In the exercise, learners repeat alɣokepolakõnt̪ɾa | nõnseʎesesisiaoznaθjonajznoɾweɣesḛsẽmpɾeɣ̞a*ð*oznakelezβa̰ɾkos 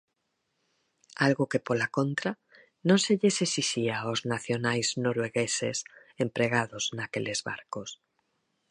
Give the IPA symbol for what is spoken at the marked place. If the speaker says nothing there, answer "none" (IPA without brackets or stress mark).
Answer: ð